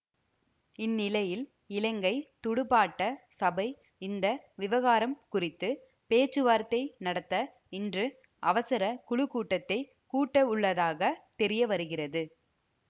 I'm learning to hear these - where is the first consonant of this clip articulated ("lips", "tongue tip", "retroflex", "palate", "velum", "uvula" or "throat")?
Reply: tongue tip